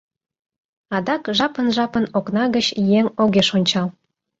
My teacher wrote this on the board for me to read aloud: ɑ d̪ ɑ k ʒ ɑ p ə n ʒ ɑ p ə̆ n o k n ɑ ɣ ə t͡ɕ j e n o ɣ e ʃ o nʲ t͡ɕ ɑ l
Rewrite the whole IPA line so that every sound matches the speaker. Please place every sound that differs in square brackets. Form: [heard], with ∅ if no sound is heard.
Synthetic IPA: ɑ d̪ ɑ k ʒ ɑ p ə n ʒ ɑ p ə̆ n o k n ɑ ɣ ə t͡ɕ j e [ŋ] o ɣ e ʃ o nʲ t͡ɕ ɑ l